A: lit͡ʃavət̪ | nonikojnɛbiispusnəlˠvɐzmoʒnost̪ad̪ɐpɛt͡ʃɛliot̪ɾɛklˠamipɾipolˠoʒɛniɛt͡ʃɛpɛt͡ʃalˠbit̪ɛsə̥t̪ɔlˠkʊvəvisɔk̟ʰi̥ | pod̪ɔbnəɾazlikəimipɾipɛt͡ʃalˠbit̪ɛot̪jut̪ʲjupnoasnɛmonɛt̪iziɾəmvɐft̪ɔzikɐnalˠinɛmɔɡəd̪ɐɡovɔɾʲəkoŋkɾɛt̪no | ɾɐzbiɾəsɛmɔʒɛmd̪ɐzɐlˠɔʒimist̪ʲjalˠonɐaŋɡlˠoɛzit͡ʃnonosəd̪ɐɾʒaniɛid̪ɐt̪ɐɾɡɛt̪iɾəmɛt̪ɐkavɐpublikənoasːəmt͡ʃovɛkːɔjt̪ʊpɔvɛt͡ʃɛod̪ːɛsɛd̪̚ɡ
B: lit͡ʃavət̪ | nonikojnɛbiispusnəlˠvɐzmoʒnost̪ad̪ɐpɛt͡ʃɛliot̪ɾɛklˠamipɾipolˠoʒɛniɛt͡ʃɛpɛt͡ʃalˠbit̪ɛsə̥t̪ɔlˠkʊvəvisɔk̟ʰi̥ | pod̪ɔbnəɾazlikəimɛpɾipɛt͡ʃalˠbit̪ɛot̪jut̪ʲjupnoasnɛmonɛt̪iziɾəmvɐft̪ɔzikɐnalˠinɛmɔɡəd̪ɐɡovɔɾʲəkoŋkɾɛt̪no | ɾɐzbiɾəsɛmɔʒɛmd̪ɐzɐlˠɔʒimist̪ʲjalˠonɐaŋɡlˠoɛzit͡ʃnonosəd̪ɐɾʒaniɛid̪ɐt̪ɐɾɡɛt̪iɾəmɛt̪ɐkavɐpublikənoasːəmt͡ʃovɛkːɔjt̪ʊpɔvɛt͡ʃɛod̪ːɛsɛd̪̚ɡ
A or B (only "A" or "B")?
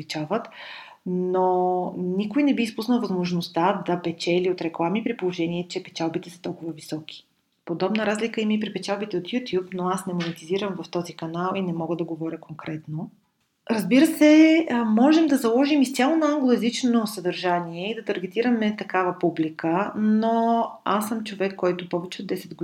A